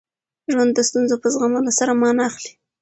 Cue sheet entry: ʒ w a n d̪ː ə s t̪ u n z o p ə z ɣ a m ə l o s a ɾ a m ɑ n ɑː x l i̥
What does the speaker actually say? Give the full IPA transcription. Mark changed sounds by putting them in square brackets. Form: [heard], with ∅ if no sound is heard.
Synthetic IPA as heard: ʒ w a n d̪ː ə s t̪ u n z o p ə z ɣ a m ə l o s a ɾ a m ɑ n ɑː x l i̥

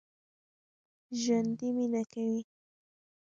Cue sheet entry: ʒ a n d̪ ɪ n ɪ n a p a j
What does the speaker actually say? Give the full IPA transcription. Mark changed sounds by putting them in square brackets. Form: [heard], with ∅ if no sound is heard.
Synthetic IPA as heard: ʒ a n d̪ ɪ [m] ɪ n a [k] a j

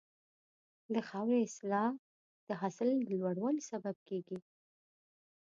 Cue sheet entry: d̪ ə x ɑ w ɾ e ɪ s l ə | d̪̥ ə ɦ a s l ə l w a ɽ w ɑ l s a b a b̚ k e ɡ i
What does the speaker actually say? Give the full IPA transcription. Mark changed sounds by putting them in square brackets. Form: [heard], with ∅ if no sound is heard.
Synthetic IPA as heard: d̪ ə x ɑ w ɾ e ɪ s l [ɑ] | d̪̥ ə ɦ a s l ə l w a ɽ w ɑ l s a b a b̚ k e ɡ i

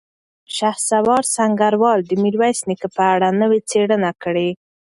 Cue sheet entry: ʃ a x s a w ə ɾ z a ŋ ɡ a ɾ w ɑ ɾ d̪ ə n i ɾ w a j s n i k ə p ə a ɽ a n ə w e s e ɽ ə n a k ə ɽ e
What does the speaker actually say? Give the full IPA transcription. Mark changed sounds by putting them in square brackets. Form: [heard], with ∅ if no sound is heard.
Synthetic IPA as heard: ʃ a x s a w [ɑ] ɾ [s] a ŋ ɡ a ɾ w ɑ [l] d̪ ə [m] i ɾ w a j s n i k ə p ə a ɽ a n ə w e [t͡s] e ɽ ə n a k ə ɽ e

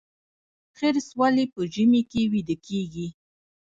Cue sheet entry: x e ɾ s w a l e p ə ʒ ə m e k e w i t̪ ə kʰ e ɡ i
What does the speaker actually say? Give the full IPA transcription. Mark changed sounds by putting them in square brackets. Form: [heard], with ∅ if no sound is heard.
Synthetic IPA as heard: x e ɾ s w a l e p ə ʒ ə m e k e w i [d̪] ə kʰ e ɡ i

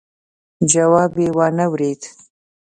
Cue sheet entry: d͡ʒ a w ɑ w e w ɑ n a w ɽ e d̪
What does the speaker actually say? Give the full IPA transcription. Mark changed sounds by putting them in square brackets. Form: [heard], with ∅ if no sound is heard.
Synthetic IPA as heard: d͡ʒ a w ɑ [b] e w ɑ n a w [ɾ] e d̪

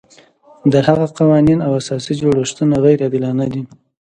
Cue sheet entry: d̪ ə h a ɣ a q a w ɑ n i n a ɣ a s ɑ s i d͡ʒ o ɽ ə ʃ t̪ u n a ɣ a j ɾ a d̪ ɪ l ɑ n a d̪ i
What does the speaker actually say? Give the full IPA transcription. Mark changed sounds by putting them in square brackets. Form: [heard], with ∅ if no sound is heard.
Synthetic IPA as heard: d̪ ə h a ɣ a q a w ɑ n i n a [w] a s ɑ s i d͡ʒ o ɽ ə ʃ t̪ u n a ɣ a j ɾ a d̪ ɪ l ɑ n a d̪ i

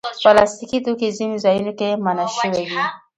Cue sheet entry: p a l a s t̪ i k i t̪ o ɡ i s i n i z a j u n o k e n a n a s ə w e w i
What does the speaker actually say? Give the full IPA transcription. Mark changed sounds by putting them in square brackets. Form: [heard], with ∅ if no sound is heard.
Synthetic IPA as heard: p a l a s t̪ i k i t̪ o [k] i [z] i n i z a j u n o k e [m] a n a [ʃ] ə w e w i

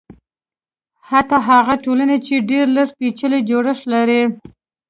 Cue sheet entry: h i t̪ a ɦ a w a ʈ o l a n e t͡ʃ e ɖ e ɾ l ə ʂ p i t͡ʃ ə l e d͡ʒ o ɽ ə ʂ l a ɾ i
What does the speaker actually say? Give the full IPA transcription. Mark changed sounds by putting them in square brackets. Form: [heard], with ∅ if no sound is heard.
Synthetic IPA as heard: h [a] t̪ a ɦ a [ɣ] a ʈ o l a n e t͡ʃ e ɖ e ɾ l ə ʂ p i t͡ʃ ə l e d͡ʒ o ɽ ə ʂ l a ɾ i

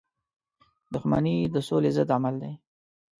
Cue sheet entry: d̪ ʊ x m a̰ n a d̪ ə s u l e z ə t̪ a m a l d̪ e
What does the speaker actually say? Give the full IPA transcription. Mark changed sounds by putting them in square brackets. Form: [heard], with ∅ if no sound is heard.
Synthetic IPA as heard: d̪ ʊ x m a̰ n [i] d̪ ə s [o] l e z ə [d̪] a m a l d̪ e

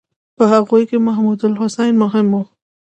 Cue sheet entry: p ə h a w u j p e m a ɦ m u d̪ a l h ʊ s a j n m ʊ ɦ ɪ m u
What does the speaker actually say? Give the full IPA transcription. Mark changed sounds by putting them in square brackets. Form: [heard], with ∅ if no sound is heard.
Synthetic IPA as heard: p ə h a [ɣ] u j [k] e m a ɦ m u d̪ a l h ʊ s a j n m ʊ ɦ ɪ m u

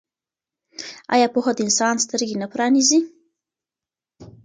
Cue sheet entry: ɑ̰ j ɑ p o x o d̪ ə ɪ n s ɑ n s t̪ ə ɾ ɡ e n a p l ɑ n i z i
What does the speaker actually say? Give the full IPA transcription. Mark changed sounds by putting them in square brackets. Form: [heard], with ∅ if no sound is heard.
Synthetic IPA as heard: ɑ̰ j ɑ p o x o d̪ ə ɪ n s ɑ n s t̪ ə ɾ ɡ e n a p [ɾ] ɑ n i z i

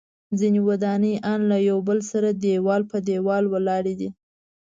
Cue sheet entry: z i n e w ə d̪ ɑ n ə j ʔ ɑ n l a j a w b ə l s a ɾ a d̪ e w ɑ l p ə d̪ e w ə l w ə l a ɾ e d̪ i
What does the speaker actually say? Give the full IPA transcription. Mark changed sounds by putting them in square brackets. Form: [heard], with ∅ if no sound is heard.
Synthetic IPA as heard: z i n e w [a] d̪ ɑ n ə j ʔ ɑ n l a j a w b ə l s a ɾ a d̪ e w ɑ l p ə d̪ e w [ɑ] l w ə l [ɑ] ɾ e d̪ i

